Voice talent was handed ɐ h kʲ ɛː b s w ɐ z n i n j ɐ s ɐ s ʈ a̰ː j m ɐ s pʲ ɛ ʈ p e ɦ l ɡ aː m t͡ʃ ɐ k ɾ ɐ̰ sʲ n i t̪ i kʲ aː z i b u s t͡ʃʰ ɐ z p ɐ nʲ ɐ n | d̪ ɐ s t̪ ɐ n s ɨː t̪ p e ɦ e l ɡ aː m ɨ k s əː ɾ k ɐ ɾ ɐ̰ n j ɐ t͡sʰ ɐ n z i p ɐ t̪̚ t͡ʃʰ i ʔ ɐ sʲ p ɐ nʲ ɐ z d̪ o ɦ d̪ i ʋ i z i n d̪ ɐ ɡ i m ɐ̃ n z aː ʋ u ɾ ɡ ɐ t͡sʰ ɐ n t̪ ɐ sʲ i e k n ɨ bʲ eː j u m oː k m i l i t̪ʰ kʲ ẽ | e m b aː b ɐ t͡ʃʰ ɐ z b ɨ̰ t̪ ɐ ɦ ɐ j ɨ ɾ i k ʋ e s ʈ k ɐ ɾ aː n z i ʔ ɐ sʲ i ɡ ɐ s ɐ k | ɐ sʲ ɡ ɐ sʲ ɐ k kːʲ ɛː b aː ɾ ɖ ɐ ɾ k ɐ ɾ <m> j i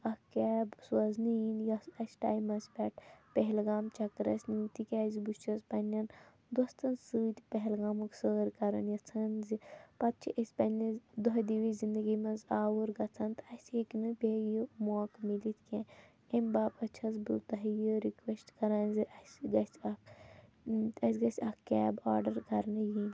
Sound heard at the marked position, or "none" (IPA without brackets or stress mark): n